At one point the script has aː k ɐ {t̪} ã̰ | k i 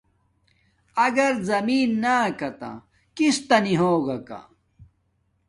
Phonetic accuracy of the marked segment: correct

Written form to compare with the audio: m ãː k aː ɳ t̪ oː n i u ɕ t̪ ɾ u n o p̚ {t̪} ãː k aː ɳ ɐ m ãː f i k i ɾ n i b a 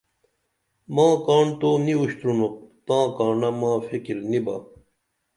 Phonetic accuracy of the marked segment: correct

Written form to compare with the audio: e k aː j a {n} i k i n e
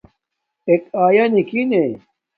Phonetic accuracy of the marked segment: correct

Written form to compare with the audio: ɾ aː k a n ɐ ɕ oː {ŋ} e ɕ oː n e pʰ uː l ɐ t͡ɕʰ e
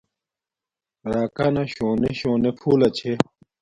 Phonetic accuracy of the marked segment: incorrect: n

